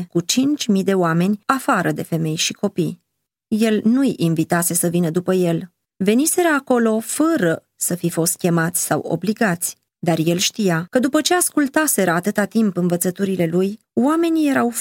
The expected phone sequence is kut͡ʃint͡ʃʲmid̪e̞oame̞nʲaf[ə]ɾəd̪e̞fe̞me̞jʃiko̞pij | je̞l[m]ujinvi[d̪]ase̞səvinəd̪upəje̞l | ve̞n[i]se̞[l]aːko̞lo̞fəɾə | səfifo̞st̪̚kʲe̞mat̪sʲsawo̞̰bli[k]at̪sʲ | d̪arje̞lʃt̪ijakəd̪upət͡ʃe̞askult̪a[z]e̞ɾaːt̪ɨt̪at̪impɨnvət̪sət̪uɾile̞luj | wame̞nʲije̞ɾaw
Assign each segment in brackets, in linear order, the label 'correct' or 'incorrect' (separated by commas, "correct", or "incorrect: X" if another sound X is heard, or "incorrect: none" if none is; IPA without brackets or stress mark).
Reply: incorrect: a, incorrect: n, incorrect: t̪, correct, incorrect: ɾ, incorrect: ɡ, incorrect: s